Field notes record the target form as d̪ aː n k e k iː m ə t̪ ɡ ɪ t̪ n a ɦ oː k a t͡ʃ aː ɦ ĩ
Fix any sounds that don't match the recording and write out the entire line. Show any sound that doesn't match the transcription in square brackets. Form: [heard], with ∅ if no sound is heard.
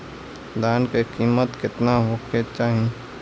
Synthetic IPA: d̪ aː n k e k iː m ə t̪ [k] ɪ t̪ n a ɦ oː k [e] t͡ʃ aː ɦ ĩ

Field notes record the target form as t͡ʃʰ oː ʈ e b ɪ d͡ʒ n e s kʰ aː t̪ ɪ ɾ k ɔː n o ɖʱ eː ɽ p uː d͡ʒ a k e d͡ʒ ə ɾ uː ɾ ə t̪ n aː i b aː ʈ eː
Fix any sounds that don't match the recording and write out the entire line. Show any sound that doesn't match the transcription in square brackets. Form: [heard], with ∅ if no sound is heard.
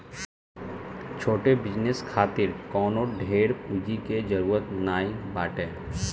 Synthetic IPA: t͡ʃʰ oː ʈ e b ɪ d͡ʒ n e s kʰ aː t̪ ɪ ɾ k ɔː n o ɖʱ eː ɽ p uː d͡ʒ [i] k e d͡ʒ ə ɾ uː ɾ ə t̪ n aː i b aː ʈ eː

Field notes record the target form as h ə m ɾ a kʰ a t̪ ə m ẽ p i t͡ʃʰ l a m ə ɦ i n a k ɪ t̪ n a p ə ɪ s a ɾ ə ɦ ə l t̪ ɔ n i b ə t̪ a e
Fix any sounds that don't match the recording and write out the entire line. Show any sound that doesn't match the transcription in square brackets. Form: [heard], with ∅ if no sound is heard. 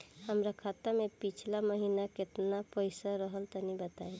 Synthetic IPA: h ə m ɾ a kʰ a t̪ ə m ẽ p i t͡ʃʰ l a m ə ɦ i n a k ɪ t̪ n a p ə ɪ s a ɾ ə ɦ ə l t̪ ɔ n i b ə t̪ a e

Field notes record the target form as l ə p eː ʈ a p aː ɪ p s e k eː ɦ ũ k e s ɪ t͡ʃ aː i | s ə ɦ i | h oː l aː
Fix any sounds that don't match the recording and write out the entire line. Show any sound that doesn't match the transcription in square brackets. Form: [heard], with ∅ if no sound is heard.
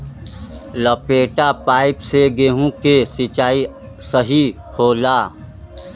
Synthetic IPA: l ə p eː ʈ a p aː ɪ p s e [ɡ] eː ɦ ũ k e s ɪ t͡ʃ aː i | s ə ɦ i | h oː l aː

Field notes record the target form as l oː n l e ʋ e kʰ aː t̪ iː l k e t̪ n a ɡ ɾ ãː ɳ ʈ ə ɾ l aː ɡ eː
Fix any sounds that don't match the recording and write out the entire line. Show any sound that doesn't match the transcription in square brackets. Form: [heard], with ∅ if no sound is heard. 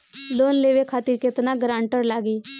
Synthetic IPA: l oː n l e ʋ e kʰ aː t̪ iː [ɾ] k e t̪ n a ɡ ɾ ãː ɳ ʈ ə ɾ l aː ɡ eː

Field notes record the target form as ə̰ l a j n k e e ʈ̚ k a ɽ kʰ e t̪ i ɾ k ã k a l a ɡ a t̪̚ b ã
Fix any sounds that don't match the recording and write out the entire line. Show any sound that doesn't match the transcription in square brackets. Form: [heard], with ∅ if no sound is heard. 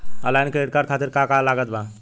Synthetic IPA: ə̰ l a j n k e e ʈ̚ k a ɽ kʰ [a] t̪ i ɾ k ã k a l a ɡ [ə] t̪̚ b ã

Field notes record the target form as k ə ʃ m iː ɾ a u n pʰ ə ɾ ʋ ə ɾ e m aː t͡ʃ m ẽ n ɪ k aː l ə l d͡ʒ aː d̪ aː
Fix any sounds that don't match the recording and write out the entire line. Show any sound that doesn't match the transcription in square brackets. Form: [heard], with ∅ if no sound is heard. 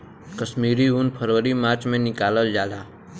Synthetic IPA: k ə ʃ m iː ɾ [i] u n pʰ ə ɾ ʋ ə ɾ [i] m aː t͡ʃ m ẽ n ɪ k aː l ə l d͡ʒ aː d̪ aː

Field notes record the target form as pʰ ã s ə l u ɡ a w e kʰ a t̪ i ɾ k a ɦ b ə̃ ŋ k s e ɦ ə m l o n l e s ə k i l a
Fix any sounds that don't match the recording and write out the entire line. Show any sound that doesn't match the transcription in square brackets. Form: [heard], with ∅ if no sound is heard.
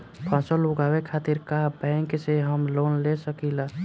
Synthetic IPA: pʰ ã s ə l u ɡ a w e kʰ a t̪ i ɾ k a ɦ b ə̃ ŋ k s e ɦ ə m l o n l e s ə k i l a

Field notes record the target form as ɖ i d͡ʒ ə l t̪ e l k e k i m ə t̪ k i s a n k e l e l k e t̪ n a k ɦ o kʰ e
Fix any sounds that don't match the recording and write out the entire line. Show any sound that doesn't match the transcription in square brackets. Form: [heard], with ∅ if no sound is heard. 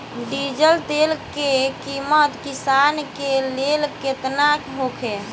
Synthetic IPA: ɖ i d͡ʒ ə l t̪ e l k e k i m ə t̪ k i s a n k e l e l k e t̪ n a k ɦ o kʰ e

